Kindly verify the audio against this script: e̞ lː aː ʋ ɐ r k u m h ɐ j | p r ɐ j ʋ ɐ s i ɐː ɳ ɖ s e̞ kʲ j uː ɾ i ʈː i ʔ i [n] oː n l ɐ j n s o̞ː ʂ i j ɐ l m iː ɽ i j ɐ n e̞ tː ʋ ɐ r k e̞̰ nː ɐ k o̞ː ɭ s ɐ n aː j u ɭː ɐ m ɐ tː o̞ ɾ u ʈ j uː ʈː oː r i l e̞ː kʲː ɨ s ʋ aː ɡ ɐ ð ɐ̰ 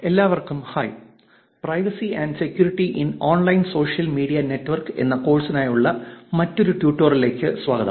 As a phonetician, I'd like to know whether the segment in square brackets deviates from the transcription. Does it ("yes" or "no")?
no